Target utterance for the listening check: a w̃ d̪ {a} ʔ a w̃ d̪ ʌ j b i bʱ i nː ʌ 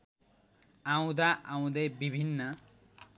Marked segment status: correct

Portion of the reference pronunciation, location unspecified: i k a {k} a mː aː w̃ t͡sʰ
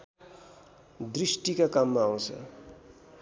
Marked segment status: correct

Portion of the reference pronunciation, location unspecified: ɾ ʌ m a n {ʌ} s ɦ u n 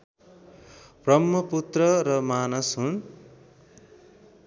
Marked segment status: correct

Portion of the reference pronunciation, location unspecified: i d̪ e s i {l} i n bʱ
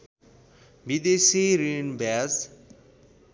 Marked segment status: incorrect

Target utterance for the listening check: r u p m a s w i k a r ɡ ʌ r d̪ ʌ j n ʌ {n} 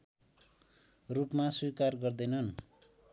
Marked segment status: correct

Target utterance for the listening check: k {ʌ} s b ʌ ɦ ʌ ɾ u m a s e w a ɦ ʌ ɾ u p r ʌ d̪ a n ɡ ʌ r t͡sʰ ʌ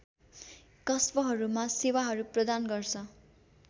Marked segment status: correct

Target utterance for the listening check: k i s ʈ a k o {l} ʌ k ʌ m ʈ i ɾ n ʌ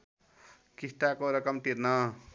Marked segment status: incorrect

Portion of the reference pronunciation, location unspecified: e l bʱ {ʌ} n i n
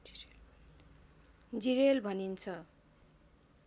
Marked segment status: correct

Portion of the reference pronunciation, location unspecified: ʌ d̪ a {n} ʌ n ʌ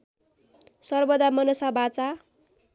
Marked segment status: incorrect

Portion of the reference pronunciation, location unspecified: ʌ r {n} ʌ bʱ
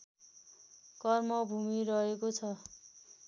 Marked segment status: incorrect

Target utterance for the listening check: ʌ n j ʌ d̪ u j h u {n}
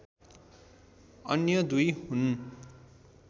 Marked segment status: correct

